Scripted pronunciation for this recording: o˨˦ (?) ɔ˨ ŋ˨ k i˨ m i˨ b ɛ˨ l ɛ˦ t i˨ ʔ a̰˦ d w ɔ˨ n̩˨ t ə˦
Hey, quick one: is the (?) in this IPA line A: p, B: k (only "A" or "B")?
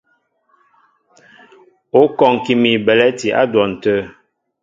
B